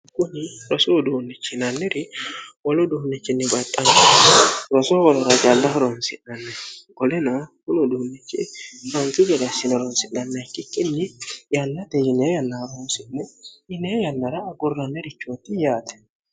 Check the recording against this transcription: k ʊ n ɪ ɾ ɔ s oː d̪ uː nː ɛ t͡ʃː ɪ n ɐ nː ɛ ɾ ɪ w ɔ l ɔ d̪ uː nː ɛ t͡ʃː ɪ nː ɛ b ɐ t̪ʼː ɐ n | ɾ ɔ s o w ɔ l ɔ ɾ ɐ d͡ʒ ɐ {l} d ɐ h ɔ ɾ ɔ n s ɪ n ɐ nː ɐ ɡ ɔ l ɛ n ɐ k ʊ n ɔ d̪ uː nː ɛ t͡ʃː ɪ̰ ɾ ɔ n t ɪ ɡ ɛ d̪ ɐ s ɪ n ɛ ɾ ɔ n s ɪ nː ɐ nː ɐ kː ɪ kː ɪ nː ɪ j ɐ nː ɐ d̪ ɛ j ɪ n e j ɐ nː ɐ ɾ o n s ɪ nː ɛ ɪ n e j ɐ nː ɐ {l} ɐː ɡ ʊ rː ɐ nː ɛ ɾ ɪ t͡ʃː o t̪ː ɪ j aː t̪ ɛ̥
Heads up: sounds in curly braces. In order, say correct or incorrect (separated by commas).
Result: correct, incorrect